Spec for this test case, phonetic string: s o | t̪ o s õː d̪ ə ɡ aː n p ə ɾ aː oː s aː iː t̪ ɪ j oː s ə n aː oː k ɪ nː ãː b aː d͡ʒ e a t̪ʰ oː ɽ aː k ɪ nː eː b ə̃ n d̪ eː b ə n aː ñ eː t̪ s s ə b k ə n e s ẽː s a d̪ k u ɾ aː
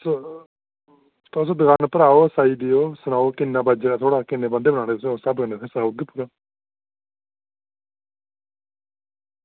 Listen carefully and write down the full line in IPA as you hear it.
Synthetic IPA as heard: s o | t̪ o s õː d̪ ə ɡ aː n p ə ɾ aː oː s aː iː d̪ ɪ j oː s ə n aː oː k ɪ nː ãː b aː d͡ʒ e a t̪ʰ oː ɽ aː k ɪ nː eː b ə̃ n d̪ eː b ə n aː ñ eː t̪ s s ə b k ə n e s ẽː s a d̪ p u ɾ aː